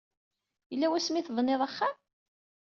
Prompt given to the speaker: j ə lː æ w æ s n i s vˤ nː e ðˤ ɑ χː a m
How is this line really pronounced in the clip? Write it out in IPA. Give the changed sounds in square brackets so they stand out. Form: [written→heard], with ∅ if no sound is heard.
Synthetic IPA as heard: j ə lː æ w æ s [n→m] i [s→θ] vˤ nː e ðˤ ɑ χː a m